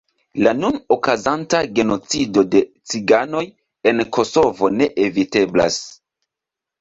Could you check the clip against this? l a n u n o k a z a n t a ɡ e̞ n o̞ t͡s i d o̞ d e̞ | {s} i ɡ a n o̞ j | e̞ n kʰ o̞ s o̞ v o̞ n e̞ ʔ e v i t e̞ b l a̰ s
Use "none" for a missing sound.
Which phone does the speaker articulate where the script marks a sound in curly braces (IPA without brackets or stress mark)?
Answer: t͡s